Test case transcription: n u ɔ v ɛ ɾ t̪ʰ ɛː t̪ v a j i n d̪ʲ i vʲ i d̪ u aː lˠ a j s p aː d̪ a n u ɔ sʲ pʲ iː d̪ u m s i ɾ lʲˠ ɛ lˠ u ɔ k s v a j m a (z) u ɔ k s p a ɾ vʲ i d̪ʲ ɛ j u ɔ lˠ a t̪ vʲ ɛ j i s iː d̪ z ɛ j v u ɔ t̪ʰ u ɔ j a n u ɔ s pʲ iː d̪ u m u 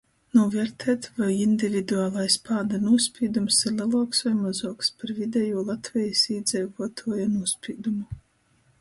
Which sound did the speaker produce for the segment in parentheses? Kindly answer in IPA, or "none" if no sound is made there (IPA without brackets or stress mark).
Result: z